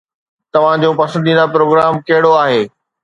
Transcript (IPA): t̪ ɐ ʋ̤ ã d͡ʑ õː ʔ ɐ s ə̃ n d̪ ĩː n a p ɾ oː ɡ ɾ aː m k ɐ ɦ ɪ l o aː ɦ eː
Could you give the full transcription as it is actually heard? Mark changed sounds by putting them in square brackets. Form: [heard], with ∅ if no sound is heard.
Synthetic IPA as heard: t̪ ɐ ʋ̤ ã d͡ʑ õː [p] ɐ s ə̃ n d̪ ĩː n a p ɾ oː ɡ ɾ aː m k ɐ ɦ ɪ [ɽ] o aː ɦ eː

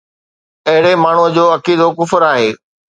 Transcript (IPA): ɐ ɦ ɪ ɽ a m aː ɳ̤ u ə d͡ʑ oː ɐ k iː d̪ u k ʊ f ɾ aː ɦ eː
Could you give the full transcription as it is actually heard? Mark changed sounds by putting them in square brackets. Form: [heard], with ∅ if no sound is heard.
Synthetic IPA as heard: ɐ ɦ ɪ ɽ [e] m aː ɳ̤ u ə d͡ʑ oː ɐ k iː d̪ [o] k ʊ f ɾ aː ɦ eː

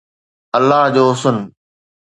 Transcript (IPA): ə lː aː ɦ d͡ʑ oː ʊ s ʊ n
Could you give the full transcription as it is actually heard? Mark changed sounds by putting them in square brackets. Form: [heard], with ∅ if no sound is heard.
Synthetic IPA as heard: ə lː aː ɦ d͡ʑ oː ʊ s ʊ n

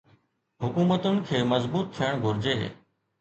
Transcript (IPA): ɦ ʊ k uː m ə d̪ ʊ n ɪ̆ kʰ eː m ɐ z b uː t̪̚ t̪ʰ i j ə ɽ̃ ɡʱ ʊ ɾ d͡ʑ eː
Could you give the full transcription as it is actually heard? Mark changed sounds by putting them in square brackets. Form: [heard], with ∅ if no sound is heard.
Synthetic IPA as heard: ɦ ʊ k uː m ə [t̪] ʊ n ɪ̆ kʰ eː m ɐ z b uː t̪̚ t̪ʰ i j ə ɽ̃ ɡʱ ʊ ɾ d͡ʑ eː

